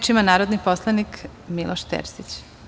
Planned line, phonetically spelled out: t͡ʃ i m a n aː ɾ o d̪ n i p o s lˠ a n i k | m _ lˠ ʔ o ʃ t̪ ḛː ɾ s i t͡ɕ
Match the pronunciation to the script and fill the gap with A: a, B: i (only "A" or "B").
B